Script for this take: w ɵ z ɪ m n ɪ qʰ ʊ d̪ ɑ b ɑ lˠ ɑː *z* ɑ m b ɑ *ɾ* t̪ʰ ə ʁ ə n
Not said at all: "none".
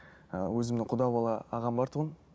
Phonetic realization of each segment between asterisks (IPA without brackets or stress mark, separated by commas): ʁ, ɾ